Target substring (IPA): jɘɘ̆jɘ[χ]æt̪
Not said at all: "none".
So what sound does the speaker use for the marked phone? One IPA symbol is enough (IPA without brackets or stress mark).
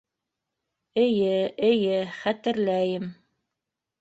χ